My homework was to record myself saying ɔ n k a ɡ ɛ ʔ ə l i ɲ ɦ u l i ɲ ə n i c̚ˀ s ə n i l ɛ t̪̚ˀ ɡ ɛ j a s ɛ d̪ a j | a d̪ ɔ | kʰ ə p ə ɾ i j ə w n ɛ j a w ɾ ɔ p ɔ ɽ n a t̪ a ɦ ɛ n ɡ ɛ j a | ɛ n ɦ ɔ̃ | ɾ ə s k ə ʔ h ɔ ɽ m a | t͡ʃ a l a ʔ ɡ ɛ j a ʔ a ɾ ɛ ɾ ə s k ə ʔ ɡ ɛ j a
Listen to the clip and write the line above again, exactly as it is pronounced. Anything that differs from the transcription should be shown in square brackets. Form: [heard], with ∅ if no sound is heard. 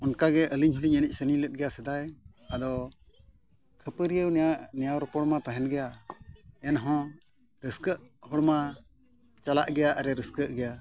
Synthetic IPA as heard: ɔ n k a ɡ ɛ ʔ ə l i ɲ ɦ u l i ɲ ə n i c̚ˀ s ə n i l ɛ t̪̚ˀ ɡ ɛ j a s ɛ d̪ a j | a d̪ ɔ | kʰ ə p ə ɾ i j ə w n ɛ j a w ɾ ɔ p ɔ ɽ [m] a t̪ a ɦ ɛ n ɡ ɛ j a | ɛ n ɦ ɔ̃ | ɾ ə s k ə ʔ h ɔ ɽ m a | t͡ʃ a l a ʔ ɡ ɛ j a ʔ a ɾ ɛ ɾ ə s k ə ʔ ɡ ɛ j a